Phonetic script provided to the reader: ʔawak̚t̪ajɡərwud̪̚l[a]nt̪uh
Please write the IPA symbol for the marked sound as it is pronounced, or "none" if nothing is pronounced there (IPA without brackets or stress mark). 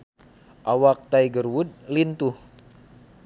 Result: i